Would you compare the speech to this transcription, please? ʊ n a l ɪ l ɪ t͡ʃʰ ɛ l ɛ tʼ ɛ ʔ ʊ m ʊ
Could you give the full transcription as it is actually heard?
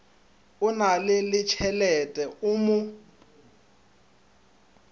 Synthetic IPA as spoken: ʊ n a l ɪ l ɪ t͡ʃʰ ɛ l ɛ tʼ ɛ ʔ ʊ m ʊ

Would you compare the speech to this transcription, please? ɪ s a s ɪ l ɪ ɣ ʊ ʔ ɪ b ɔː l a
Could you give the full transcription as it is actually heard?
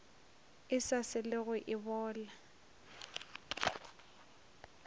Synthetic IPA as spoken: ɪ s a s ɪ l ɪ ɣ ʊ ʔ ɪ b ɔː l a

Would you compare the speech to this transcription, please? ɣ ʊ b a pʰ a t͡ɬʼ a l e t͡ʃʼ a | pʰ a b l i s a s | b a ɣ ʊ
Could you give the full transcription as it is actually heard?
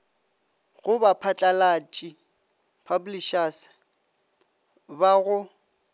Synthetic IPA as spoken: ɣ ʊ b a pʰ a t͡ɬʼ a l a t͡ʃʼ i | pʰ a b l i ʃ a s | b a ɣ ʊ

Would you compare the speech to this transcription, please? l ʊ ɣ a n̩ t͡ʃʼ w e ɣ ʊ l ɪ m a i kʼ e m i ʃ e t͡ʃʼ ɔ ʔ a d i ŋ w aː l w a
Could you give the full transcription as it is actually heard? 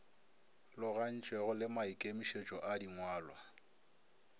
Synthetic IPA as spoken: l ʊ ɣ a n̩ t͡ʃʼ w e ɣ ʊ l ɪ m a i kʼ e m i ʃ e t͡ʃʼ ɔ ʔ a d i ŋ w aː l w a

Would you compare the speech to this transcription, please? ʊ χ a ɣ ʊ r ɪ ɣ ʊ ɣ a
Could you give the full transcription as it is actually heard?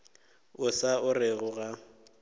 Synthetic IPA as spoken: ʊ s a ʊ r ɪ ɣ ʊ ɣ a

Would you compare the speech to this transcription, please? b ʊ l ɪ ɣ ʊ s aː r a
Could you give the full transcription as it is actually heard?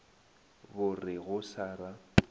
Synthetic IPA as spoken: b ʊ r ɪ ɣ ʊ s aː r a

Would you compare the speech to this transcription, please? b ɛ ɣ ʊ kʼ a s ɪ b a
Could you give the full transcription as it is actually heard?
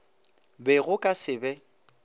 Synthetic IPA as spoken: b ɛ ɣ ʊ kʼ a s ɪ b ɛ

